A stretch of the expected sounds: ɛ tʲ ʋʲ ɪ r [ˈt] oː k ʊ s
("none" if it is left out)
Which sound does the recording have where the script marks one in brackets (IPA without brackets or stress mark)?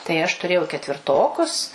t